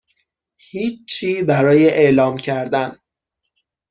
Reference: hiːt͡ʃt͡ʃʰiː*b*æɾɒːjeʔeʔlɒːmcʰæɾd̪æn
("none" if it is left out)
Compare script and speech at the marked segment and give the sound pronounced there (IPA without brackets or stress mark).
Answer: b